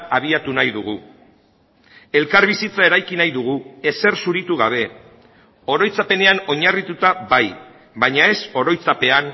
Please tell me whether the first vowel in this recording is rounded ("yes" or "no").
no